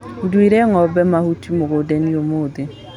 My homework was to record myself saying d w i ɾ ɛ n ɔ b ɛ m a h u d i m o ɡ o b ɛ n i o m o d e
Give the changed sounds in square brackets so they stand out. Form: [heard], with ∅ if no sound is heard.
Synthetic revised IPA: d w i ɾ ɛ [ŋ] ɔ b ɛ m a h u [t] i m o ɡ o [d] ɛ n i o m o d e